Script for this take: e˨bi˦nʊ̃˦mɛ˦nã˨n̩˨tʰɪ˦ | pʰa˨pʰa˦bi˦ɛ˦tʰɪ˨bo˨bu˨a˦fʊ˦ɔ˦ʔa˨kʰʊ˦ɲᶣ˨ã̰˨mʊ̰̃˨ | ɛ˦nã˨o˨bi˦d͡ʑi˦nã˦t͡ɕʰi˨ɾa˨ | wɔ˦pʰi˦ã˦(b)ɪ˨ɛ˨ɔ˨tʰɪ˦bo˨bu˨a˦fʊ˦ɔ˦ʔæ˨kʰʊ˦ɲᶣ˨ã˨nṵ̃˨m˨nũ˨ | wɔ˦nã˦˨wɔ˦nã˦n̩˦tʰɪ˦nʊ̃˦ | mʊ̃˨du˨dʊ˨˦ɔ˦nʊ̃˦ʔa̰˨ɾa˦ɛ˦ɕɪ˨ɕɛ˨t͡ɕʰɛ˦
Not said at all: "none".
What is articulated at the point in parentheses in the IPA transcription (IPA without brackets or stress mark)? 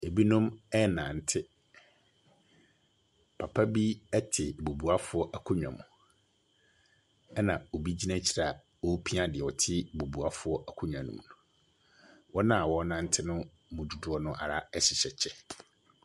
d